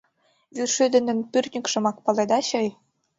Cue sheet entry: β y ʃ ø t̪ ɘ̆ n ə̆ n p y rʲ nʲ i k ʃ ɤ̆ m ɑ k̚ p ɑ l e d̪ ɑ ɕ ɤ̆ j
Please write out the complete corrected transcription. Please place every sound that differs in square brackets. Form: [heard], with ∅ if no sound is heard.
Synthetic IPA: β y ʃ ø [d̪] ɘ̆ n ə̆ n p y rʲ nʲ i k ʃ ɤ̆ m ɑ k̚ p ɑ l e d̪ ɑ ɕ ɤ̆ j